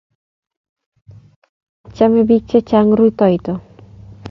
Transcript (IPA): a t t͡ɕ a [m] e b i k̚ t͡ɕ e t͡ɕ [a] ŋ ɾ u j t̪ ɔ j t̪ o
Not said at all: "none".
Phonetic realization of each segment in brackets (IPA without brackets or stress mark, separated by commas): m, a